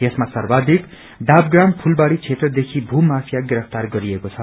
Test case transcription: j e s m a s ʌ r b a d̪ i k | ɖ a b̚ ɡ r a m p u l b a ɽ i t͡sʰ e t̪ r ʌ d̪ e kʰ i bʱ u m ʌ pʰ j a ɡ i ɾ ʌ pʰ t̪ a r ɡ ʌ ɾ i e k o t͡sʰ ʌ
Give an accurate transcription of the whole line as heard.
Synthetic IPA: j e s m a s ʌ r b a d̪ i k | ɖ a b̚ ɡ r a m pʰ u l b a ɽ i t͡sʰ e t̪ r ʌ d̪ e kʰ i bʱ u m a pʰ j a ɡ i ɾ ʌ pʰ t̪ a r ɡ ʌ ɾ i e k o t͡sʰ ʌ